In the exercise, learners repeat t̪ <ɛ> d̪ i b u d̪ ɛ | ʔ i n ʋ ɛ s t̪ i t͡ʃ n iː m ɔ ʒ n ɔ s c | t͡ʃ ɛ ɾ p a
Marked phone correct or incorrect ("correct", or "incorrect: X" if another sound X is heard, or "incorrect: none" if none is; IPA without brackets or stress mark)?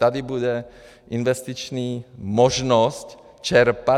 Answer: incorrect: a